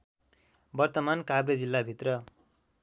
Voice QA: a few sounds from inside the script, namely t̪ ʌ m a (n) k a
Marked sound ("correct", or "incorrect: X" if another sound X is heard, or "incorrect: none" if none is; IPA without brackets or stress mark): correct